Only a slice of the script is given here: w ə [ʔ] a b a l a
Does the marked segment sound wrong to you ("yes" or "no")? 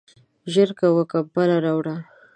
yes